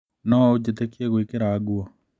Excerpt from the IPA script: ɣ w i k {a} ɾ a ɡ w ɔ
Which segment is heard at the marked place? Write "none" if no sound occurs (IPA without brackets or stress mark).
e